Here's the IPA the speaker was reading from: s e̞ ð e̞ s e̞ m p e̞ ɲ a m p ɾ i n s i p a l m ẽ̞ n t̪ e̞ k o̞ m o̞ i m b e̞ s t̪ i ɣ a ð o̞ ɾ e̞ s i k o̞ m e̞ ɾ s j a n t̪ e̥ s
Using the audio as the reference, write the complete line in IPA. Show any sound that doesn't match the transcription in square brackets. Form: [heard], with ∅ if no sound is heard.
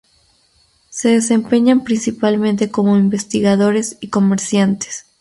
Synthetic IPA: s e̞ ð e̞ s e̞ m p e̞ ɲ a m p ɾ i n s i p a l m ẽ̞ n t̪ e̞ k o̞ m o̞ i m b e̞ s t̪ i ɣ a ð o̞ ɾ e̞ s i k o̞ m e̞ ɾ s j a n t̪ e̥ s